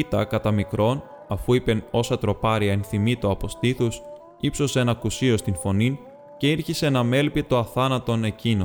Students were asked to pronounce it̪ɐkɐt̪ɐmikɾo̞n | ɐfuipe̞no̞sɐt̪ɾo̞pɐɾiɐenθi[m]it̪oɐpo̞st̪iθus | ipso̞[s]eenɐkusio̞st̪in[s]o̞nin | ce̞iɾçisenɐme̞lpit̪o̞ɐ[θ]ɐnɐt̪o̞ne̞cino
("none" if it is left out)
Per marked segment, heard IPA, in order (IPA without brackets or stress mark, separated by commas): m, s, f, θ